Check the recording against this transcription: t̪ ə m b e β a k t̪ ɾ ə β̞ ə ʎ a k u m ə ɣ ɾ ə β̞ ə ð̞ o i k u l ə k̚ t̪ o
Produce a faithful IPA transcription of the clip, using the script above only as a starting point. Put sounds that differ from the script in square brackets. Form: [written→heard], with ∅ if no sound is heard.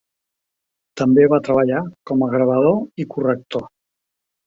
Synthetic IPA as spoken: t̪ ə m b e β a [k→∅] t̪ ɾ ə β̞ ə ʎ a k [u→ɔ] m ə ɣ ɾ ə β̞ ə ð̞ o i k u [l→r] ə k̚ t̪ o